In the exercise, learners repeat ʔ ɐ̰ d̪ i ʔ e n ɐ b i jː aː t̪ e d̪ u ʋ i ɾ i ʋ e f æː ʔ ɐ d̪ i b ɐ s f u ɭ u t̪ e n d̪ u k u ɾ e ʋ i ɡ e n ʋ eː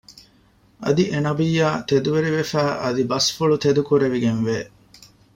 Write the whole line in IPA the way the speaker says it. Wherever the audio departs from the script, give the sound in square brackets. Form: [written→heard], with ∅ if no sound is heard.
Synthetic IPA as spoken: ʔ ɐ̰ d̪ i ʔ e n ɐ b i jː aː t̪ e d̪ u ʋ [i→e] ɾ i ʋ e f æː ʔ ɐ d̪ i b ɐ s f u ɭ u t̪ e [n→∅] d̪ u k u ɾ e ʋ i ɡ e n ʋ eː